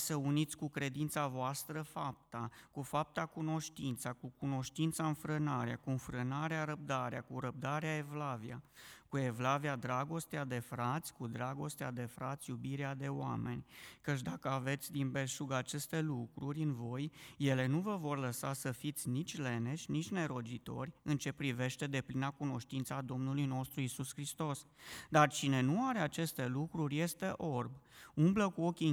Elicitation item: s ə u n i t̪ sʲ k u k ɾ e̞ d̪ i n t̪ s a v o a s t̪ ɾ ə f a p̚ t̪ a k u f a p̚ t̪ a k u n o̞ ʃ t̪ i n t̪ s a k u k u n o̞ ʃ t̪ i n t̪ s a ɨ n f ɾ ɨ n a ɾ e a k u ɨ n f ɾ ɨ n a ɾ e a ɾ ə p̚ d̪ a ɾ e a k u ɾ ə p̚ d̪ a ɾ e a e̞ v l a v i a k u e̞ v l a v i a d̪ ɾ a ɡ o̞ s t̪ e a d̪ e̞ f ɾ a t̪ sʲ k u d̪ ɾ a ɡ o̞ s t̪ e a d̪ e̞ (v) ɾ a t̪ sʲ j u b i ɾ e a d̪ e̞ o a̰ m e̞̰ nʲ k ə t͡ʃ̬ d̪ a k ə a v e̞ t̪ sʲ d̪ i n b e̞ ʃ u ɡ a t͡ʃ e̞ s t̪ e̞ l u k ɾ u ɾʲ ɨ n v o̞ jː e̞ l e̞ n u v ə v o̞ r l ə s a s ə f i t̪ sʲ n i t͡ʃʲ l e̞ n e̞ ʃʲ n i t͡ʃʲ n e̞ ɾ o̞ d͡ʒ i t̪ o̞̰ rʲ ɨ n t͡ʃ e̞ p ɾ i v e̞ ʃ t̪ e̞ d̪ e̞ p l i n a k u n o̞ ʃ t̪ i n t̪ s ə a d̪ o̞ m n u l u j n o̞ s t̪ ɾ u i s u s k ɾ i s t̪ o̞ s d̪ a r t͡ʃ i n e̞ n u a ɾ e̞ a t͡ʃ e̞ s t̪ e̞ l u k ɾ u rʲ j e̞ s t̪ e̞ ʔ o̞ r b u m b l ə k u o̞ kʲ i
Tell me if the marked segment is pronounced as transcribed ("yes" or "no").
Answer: no